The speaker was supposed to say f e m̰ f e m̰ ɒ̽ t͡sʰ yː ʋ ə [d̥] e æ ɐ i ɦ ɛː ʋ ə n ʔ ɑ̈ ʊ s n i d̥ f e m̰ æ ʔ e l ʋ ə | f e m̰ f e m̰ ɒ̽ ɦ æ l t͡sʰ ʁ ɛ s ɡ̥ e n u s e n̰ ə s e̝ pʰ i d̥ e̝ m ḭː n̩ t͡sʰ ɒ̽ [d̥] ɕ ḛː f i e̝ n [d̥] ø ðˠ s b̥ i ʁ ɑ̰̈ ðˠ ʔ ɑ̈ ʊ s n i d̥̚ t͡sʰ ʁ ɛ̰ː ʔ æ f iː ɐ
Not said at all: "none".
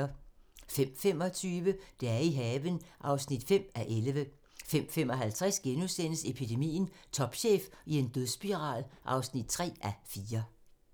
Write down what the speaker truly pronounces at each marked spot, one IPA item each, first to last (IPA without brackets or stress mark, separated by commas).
d̥, b̥, d̥